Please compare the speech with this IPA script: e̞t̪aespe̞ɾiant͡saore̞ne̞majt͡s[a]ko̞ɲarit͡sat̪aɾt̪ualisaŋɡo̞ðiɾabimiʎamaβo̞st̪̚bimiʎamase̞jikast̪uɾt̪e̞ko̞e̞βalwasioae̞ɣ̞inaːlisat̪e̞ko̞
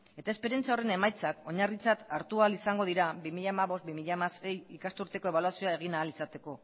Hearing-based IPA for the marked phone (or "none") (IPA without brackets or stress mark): a